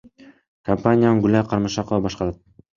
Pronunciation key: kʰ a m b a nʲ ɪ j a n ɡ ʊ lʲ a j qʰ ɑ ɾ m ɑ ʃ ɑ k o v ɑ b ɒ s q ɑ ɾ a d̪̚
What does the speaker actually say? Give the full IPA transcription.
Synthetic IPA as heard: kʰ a m p a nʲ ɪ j a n ɡ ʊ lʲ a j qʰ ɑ ɾ m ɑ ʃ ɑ q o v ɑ b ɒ ʃ q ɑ ɾ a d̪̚